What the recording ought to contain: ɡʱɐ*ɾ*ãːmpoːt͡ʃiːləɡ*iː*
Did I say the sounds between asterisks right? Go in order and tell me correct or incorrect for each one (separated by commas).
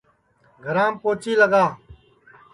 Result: correct, incorrect